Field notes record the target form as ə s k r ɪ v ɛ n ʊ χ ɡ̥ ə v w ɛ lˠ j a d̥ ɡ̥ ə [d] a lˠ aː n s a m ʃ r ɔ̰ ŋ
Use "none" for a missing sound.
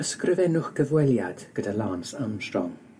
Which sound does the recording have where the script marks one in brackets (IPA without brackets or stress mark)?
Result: d